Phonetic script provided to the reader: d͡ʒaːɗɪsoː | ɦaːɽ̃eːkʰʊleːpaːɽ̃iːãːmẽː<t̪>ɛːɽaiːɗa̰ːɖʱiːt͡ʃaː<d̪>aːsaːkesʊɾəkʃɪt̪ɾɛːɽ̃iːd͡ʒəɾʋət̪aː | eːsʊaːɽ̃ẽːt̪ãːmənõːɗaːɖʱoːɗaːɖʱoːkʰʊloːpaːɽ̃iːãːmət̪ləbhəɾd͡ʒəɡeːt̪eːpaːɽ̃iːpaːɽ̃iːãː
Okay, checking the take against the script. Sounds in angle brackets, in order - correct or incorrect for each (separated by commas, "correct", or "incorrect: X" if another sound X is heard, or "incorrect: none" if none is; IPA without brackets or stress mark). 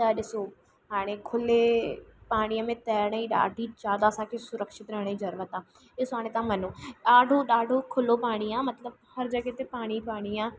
correct, correct